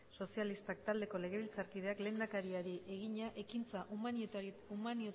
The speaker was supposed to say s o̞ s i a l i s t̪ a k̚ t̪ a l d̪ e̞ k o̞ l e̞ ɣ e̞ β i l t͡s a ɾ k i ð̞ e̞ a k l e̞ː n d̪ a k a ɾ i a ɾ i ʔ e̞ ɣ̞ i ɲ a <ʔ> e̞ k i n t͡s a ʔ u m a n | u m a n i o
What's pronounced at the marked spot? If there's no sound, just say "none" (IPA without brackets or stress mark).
ʔ